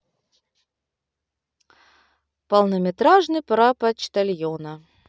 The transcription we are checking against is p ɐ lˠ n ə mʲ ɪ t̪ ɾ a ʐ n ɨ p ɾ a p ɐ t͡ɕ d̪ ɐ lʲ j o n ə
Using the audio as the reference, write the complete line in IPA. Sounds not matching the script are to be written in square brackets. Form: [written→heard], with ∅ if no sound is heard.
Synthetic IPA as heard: p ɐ lˠ n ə mʲ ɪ t̪ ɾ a ʐ n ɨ p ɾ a p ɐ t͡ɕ [d̪→t̪] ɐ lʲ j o n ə